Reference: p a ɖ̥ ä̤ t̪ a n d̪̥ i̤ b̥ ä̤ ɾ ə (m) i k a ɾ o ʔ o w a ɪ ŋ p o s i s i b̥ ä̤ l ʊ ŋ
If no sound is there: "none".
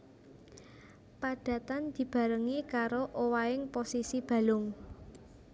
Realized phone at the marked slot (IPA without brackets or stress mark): ŋ